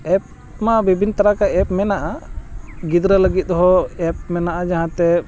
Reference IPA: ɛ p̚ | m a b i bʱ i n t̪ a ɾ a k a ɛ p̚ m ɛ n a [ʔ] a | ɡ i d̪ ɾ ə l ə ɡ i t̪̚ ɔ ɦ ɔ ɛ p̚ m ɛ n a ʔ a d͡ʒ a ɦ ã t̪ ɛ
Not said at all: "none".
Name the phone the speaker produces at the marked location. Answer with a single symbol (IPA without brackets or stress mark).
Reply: ʔ